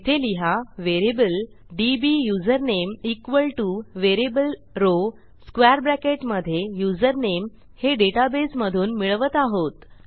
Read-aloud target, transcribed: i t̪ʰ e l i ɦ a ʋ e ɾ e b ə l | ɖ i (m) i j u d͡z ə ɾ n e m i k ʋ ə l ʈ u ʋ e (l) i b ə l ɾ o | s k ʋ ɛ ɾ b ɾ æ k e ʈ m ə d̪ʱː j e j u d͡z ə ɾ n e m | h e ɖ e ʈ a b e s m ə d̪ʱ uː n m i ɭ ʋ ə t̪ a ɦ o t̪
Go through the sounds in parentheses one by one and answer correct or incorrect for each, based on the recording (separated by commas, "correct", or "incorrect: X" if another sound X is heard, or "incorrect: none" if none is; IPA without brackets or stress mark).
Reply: incorrect: b, incorrect: ɾ